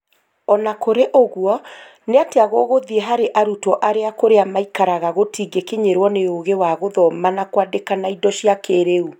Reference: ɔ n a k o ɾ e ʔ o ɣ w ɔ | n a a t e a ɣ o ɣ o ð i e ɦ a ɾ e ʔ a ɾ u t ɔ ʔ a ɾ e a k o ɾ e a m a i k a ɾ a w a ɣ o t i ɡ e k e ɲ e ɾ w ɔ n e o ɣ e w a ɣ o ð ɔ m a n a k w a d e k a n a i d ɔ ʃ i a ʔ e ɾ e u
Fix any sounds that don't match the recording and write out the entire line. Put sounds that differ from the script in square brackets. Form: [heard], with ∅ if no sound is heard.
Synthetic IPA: ɔ n a k o ɾ e ʔ o ɣ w ɔ | n [e] a t e a ɣ o ɣ o ð i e ɦ a ɾ e ʔ a ɾ u t ɔ ʔ a ɾ e a k o ɾ e a m a i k a ɾ a [ɣ] a ɣ o t i ɡ e k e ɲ e ɾ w ɔ n e o ɣ e w a ɣ o ð ɔ m a n a k w a d e k a n a i d ɔ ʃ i a [k] e ɾ e u